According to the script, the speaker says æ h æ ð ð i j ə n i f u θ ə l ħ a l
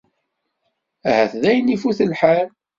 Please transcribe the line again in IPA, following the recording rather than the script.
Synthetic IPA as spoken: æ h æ θ ð æ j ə n i f u θ ə l ħ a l